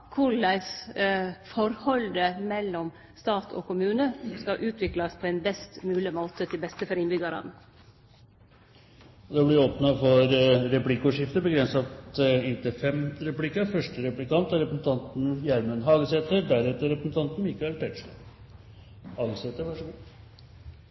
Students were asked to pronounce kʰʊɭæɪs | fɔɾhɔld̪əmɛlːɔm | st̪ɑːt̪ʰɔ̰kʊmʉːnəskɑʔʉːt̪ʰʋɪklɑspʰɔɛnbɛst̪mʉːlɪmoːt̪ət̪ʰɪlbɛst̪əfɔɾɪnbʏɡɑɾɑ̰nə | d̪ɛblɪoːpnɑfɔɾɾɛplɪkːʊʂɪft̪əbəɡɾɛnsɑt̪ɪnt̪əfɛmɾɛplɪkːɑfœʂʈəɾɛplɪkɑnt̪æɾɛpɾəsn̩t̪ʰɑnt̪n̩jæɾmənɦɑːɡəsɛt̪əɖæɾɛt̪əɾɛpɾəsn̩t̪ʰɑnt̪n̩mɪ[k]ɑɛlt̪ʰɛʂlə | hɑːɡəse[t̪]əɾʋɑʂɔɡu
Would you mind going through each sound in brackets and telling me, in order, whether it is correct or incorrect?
correct, correct

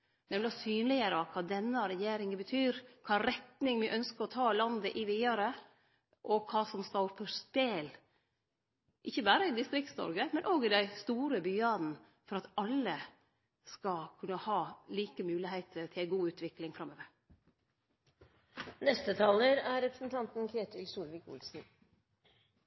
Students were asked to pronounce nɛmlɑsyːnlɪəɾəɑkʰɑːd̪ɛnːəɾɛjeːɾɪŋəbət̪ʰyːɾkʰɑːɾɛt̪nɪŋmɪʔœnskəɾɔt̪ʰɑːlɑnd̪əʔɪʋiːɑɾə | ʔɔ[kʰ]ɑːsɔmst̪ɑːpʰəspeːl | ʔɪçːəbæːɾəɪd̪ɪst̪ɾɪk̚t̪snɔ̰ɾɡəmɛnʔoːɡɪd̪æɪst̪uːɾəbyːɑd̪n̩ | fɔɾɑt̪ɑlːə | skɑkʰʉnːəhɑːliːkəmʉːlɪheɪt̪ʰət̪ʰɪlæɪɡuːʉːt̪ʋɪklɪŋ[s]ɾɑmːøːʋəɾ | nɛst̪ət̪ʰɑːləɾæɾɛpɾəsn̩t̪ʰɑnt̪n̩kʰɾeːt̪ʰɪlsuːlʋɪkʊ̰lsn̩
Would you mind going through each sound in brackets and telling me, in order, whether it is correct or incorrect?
correct, incorrect

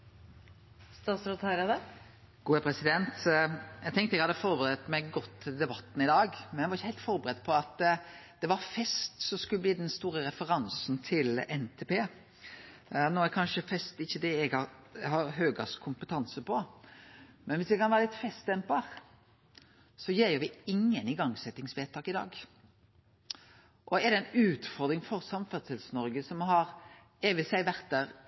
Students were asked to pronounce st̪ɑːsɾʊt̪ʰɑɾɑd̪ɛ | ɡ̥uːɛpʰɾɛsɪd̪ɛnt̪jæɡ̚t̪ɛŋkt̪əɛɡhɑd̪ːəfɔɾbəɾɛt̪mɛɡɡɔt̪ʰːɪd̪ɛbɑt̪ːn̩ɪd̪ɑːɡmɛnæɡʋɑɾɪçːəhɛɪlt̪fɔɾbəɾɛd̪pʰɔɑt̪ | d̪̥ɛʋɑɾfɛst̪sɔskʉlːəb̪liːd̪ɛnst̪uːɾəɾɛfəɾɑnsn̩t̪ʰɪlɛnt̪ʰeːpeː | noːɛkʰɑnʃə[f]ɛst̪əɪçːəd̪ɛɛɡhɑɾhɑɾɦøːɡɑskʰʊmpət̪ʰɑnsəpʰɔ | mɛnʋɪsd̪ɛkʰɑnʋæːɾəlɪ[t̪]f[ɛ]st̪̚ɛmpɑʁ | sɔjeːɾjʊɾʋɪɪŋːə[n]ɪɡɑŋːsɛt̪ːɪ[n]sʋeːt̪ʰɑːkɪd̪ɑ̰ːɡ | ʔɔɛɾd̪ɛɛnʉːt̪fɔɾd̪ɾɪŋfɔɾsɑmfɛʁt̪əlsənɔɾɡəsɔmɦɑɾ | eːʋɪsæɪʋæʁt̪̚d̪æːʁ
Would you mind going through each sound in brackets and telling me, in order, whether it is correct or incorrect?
correct, correct, correct, correct, incorrect

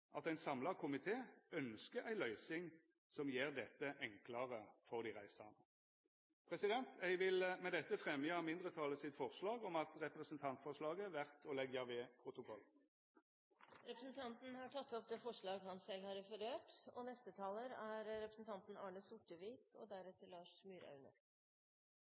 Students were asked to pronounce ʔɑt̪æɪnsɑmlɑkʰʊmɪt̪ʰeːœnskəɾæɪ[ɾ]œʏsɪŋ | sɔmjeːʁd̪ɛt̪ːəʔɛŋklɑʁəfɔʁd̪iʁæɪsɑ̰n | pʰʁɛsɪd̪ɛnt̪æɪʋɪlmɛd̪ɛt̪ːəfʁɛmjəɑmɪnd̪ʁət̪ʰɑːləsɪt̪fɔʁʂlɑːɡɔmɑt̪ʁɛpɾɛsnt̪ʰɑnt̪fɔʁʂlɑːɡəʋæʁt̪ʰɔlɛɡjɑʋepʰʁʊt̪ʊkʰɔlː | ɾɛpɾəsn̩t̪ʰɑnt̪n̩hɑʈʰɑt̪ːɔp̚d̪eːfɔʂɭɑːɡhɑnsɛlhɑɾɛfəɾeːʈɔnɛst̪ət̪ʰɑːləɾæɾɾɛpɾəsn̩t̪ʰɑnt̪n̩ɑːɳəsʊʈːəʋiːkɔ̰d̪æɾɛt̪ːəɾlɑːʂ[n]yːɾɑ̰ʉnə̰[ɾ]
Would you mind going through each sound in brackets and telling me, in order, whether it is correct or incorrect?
incorrect, incorrect, correct

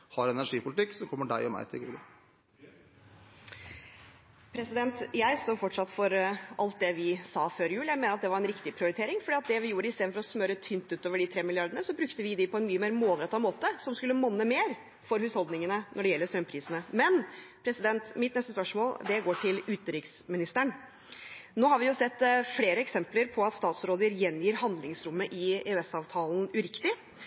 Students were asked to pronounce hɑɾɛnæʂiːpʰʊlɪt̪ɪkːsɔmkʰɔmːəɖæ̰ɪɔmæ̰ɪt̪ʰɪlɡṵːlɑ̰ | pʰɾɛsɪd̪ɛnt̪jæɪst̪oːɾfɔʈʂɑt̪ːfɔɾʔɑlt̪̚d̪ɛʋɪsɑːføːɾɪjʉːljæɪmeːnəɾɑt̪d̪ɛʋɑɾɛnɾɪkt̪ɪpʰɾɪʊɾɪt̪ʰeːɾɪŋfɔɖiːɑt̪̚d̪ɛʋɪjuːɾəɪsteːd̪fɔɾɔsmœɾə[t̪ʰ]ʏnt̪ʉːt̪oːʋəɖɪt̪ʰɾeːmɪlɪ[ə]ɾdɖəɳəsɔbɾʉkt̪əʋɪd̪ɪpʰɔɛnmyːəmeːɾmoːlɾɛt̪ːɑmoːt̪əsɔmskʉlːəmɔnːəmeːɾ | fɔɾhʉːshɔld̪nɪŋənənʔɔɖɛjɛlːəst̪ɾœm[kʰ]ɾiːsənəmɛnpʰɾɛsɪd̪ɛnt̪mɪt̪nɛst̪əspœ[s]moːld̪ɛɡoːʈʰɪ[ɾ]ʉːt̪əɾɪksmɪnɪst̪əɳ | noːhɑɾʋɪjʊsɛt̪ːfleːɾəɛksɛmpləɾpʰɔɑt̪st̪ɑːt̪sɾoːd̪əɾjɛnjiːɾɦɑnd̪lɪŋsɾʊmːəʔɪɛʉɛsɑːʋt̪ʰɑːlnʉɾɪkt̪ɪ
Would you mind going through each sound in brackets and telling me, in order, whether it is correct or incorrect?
correct, incorrect, incorrect, incorrect, incorrect

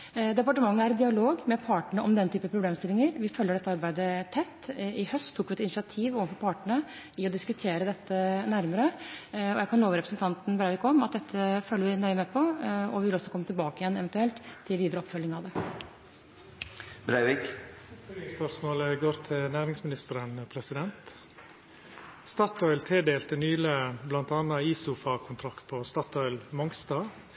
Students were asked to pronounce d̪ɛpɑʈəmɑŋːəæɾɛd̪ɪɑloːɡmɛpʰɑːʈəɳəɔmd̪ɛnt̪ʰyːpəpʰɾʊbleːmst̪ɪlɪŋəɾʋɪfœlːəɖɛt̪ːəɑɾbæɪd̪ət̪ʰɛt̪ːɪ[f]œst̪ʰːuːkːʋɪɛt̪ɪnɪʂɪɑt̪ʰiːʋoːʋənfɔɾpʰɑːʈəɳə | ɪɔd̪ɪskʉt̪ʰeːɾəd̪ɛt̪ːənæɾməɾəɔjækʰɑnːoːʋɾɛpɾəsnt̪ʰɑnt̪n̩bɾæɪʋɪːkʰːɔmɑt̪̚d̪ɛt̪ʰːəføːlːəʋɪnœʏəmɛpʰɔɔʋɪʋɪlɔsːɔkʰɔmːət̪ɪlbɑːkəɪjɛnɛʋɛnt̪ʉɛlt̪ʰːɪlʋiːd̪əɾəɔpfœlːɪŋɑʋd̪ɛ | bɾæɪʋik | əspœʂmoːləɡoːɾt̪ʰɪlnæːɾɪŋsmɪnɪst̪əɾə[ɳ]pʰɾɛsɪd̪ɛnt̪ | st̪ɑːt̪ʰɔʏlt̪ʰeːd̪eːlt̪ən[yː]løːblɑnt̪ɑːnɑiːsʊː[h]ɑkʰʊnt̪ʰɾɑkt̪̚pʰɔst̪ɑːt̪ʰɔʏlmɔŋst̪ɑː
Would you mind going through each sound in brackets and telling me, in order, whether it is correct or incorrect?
incorrect, incorrect, correct, incorrect

